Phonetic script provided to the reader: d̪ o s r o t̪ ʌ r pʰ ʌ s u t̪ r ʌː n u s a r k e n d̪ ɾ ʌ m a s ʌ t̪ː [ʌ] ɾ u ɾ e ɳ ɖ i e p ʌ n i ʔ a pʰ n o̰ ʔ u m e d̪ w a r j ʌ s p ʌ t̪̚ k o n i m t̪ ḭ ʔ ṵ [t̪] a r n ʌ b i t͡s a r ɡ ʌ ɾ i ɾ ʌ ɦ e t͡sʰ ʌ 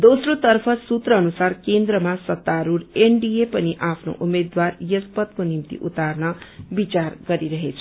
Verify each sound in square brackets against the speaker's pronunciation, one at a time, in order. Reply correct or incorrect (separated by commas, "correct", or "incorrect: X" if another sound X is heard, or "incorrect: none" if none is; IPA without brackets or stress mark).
incorrect: a, correct